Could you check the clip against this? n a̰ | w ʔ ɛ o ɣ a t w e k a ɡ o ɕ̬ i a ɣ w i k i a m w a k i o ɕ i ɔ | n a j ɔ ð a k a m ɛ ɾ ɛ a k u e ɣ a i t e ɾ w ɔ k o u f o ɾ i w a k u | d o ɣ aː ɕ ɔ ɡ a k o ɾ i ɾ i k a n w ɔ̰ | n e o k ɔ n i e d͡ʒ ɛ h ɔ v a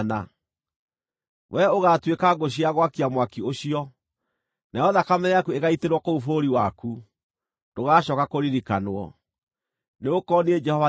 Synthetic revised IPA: n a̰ | w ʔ ɛ o ɣ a t w e k a ɡ o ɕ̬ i a ɣ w a k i a m w a k i o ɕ i ɔ | n a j ɔ ð a k a m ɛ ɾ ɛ a k u e ɣ a i t e ɾ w ɔ k o u f o ɾ i w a k u | d o ɣ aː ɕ ɔ k a k o ɾ i ɾ i k a n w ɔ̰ | n e o k ɔ n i e d͡ʒ ɛ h ɔ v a